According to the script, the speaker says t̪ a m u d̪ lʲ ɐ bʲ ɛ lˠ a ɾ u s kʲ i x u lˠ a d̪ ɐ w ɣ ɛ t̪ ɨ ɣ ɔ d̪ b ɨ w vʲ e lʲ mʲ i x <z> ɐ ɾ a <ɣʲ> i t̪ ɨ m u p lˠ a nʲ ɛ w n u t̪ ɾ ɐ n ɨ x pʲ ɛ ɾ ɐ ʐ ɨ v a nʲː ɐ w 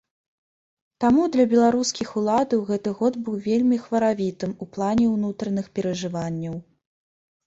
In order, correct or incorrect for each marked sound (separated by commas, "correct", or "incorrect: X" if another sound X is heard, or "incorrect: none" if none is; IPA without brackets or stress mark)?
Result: incorrect: v, incorrect: vʲ